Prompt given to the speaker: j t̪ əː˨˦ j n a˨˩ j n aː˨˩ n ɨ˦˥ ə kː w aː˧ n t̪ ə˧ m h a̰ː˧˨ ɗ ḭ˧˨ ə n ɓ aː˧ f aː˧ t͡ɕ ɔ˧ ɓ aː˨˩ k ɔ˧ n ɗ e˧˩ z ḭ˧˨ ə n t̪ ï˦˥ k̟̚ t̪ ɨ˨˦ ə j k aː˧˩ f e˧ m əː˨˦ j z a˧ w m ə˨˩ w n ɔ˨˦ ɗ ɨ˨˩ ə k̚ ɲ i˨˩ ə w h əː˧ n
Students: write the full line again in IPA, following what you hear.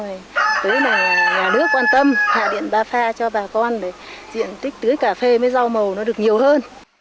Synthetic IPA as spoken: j t̪ əː˨˦ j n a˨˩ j ɲ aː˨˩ n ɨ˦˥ ə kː w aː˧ n t̪ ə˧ m h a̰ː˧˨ ɗ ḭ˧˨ ə n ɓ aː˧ f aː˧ t͡ɕ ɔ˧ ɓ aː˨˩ k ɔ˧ n ɗ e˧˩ z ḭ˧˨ ə n t̪ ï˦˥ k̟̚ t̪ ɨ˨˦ ə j k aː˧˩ f e˧ m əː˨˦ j z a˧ w m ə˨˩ w n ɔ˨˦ ɗ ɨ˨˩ ə k̚ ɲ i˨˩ ə w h əː˧ n